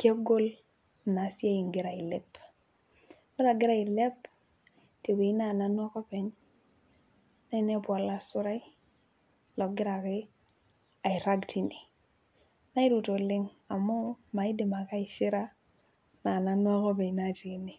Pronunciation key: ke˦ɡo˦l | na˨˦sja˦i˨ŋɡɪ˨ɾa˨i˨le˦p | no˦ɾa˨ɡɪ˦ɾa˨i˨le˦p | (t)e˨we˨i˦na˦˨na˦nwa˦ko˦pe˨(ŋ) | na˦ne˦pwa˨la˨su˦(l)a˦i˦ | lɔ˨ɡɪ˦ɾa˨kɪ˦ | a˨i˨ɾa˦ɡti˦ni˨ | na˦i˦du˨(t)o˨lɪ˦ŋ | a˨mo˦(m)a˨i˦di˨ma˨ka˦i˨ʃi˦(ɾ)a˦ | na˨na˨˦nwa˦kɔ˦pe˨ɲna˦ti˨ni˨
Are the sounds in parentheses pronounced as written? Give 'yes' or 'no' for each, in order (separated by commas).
yes, no, no, yes, yes, yes